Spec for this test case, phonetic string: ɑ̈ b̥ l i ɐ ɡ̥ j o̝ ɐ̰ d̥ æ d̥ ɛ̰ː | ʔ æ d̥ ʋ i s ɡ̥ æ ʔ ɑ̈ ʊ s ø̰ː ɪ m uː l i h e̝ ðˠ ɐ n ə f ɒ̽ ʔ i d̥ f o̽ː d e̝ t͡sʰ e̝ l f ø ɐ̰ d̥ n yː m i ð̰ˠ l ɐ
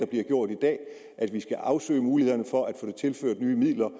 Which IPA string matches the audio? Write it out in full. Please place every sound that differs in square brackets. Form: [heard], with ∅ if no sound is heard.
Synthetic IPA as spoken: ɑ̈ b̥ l i ɐ ɡ̥ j o̝ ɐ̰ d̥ [i] d̥ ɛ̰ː | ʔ æ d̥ ʋ i s ɡ̥ æ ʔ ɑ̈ ʊ s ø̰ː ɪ m uː l i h e̝ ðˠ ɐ n ə f ɒ̽ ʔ [æ] d̥ f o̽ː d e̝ t͡sʰ e̝ l f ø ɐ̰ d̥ n yː m i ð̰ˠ l ɐ